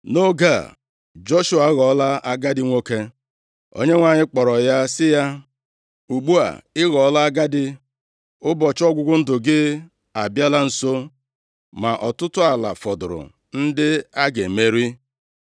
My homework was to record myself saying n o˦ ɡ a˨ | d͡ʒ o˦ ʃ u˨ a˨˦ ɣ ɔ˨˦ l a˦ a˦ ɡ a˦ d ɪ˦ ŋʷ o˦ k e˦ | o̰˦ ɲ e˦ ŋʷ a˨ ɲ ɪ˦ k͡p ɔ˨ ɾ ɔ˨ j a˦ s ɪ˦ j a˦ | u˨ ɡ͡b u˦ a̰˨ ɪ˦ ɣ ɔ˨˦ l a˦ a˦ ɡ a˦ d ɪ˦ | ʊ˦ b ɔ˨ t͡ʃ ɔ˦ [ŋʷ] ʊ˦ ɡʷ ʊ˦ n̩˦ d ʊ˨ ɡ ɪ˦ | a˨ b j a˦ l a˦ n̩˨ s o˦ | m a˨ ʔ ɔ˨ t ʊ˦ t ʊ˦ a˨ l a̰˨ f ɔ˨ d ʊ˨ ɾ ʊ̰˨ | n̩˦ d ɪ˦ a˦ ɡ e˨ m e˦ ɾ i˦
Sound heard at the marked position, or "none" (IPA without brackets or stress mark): ɡʷ